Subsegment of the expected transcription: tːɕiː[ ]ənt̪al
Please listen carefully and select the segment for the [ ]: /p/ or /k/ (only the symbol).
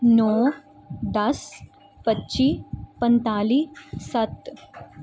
p